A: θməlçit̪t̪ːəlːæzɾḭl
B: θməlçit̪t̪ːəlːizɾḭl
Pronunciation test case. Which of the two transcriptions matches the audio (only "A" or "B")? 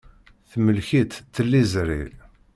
B